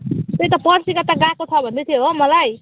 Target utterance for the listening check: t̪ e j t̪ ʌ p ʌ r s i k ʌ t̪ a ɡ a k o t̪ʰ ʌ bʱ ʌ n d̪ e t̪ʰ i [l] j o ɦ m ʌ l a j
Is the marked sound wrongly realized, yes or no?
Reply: yes